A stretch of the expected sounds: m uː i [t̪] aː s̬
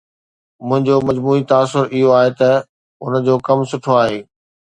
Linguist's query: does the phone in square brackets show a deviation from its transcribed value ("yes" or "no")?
no